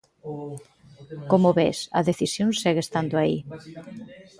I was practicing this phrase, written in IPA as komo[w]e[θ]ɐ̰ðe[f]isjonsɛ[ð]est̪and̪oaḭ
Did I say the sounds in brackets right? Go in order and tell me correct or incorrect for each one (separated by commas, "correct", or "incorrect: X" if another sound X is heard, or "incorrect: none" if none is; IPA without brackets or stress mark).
incorrect: β, incorrect: s, incorrect: θ, incorrect: ɣ